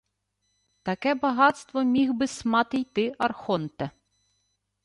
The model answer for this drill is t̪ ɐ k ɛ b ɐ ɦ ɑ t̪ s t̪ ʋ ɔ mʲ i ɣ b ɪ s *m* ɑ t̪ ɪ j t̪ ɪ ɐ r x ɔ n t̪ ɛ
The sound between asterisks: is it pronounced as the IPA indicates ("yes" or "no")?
yes